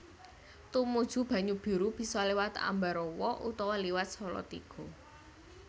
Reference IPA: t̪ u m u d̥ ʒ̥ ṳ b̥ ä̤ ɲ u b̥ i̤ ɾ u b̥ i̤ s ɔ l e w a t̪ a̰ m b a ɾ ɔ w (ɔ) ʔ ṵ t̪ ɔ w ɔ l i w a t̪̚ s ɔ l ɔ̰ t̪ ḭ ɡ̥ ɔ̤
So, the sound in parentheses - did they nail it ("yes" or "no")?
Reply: yes